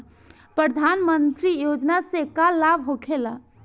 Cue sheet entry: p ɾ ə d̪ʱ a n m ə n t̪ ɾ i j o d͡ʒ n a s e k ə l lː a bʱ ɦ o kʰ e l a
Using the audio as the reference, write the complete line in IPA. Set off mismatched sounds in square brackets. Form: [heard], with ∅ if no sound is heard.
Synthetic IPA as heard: p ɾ ə d̪ʱ a n m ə n t̪ ɾ i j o d͡ʒ n a s e k [a] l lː a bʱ ɦ o kʰ e l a